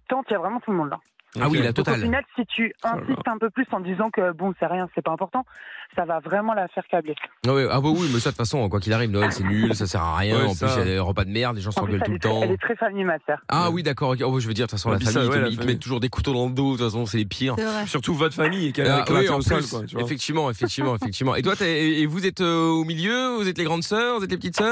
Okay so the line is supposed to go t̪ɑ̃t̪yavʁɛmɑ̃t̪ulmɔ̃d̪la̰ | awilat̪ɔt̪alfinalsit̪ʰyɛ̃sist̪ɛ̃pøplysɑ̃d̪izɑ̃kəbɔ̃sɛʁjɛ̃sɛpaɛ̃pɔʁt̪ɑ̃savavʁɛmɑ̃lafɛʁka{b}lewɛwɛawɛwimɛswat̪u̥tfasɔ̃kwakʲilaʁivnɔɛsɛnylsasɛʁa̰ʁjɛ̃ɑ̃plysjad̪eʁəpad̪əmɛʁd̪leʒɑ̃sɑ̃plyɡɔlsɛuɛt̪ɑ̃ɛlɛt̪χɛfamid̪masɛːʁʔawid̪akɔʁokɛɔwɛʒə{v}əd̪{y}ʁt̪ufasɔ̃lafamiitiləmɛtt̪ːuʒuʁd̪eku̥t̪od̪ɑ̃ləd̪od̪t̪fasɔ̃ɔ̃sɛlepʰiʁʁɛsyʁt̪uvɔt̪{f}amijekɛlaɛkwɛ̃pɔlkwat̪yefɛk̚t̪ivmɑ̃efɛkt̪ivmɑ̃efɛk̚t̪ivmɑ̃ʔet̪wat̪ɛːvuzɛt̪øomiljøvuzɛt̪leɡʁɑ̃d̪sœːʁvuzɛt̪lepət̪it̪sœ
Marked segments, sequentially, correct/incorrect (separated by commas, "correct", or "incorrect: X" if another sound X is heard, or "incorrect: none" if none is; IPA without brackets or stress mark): correct, correct, incorrect: i, correct